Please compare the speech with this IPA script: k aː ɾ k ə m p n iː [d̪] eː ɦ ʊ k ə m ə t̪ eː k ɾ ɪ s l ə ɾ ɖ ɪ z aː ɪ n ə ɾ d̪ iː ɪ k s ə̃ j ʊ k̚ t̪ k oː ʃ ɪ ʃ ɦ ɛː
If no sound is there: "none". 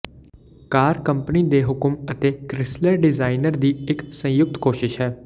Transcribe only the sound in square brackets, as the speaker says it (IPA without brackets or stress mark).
d̪